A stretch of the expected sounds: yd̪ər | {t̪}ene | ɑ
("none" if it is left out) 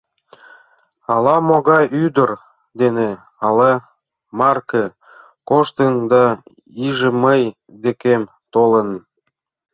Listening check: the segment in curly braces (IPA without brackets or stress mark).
d̪